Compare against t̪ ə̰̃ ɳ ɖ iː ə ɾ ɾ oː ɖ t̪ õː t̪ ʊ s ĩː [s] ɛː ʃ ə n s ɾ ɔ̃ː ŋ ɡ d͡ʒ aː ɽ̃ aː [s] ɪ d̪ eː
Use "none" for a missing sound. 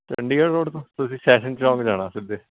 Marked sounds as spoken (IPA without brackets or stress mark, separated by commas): s, s